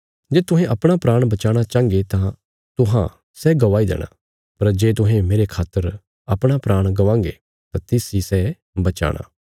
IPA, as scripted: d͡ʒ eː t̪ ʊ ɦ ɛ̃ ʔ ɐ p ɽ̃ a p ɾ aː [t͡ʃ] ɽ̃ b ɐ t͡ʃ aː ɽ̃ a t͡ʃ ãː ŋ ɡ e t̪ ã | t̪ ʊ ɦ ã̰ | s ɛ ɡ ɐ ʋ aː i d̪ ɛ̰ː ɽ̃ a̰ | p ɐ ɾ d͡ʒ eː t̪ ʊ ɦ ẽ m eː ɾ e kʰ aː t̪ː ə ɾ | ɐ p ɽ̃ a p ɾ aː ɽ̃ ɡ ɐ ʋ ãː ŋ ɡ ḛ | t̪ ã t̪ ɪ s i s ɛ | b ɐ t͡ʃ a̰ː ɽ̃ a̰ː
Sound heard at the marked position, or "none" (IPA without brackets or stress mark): none